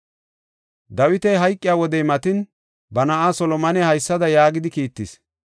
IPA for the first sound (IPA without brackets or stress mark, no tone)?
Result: d̪